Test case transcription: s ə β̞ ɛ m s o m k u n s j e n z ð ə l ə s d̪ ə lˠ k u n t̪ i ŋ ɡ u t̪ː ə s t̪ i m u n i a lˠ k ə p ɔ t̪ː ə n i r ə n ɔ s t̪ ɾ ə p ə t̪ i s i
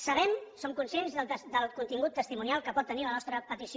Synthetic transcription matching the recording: s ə β̞ ɛ m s o m k u n s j e n z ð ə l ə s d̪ ə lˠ k u n t̪ i ŋ ɡ u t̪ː ə s t̪ i m u n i a lˠ k ə p ɔ t̪ː ə n i l ə n ɔ s t̪ ɾ ə p ə t̪ i s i